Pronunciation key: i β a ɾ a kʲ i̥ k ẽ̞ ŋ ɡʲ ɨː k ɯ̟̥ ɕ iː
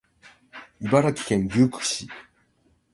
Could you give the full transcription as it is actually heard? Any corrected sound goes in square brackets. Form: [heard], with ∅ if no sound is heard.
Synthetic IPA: i [b] a ɾ a kʲ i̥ k ẽ̞ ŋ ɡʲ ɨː k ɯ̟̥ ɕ [i]